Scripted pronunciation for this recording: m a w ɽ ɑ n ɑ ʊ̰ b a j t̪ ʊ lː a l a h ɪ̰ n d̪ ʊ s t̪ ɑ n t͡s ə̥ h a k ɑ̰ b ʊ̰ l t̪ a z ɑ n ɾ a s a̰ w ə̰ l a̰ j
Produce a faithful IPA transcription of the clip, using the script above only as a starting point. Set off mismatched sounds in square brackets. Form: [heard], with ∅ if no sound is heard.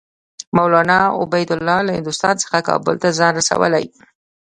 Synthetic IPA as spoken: m a w [l] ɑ n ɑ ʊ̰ b a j [d̪] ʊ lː [ɑ] l a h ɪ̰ n d̪ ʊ s t̪ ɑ n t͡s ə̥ [x] a k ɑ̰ b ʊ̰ l t̪ a z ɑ n ɾ a s a̰ w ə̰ l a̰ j